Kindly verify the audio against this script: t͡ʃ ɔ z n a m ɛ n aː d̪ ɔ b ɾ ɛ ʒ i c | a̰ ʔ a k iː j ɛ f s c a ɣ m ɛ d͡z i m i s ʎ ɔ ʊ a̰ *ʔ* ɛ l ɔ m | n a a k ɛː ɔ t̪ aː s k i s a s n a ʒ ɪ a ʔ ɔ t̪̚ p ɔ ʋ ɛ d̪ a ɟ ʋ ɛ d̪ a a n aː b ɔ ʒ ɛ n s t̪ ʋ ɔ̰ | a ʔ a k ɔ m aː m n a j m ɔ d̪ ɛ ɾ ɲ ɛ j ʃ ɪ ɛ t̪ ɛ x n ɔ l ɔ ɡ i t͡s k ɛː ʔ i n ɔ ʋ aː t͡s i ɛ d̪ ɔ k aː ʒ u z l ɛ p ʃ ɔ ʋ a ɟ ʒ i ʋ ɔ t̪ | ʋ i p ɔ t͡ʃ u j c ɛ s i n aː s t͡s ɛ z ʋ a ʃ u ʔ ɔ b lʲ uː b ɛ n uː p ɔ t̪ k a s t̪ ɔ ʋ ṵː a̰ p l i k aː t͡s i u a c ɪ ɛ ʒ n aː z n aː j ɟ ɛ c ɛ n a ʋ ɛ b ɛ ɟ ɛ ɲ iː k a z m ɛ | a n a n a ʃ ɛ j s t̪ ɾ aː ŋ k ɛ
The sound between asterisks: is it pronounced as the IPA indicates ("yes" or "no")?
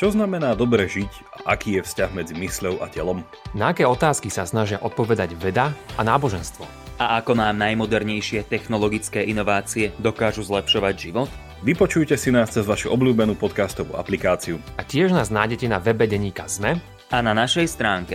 no